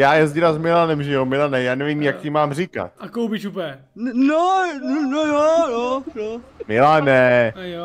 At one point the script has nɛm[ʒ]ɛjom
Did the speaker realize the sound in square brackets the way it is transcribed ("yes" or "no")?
yes